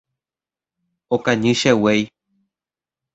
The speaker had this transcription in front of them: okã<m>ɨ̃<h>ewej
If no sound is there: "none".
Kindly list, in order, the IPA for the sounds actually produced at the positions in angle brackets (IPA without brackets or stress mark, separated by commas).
ɲ, ʃ